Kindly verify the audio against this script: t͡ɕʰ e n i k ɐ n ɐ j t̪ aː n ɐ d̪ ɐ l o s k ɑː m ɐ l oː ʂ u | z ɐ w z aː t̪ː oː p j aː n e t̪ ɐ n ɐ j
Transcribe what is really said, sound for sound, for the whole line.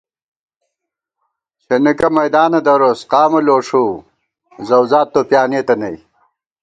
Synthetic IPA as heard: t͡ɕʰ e n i k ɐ m ɐ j d̪ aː n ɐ d̪ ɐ ɾ o s q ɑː m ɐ l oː ʂ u | z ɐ w z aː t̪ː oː p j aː n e t̪ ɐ n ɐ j